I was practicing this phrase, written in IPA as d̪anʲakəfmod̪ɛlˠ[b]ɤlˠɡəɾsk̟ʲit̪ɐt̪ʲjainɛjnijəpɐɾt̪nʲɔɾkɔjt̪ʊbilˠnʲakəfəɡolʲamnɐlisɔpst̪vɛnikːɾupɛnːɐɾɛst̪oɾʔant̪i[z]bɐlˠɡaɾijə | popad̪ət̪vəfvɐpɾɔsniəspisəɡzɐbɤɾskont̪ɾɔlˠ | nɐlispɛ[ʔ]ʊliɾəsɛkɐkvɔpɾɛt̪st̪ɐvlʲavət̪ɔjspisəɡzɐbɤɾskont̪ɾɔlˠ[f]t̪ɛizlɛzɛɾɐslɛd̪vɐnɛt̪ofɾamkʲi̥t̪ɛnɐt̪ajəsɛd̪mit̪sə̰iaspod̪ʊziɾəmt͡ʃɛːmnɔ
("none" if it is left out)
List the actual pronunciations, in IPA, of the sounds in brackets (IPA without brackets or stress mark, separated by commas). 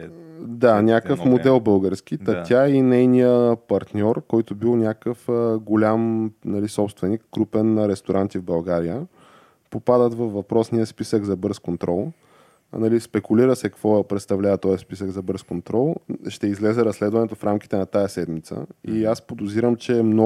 b, v, k, ʃ